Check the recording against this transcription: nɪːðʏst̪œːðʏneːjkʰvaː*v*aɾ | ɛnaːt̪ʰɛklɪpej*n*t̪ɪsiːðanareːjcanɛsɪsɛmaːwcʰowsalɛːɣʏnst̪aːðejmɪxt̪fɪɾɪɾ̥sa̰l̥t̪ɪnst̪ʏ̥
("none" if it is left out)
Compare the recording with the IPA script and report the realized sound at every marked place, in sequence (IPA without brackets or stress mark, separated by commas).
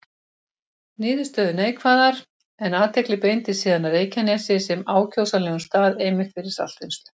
ð, n